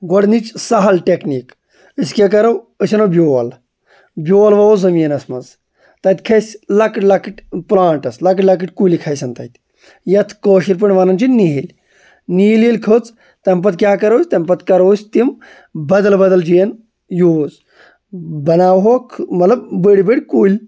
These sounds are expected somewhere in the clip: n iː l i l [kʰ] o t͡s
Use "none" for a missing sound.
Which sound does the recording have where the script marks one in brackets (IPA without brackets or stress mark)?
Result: kʰ